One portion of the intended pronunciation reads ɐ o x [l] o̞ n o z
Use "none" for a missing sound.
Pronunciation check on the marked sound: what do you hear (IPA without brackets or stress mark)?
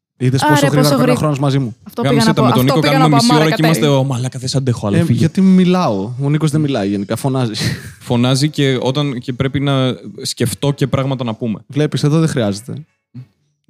ɾ